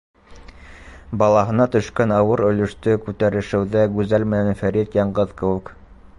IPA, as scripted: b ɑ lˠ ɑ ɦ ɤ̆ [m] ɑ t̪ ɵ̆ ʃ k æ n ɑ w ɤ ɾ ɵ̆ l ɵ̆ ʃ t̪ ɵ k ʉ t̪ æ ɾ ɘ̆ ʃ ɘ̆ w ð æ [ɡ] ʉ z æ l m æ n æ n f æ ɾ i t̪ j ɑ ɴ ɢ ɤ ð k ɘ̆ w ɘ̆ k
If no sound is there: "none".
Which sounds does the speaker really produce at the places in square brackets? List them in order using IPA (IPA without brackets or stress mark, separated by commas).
n, ɡ